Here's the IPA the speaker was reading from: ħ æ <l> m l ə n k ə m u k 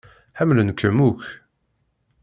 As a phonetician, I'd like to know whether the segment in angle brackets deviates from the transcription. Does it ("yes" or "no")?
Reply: yes